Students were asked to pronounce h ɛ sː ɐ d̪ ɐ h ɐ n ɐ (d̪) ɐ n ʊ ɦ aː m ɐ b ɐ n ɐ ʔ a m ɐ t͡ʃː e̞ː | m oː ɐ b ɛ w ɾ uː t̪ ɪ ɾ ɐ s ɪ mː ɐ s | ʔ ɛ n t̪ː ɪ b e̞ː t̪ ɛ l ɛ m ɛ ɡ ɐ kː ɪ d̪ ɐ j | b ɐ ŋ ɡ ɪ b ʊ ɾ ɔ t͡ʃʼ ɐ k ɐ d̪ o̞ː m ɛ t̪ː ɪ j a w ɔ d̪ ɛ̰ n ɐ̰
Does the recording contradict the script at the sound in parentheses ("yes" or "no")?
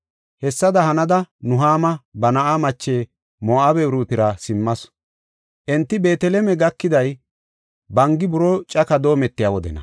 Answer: no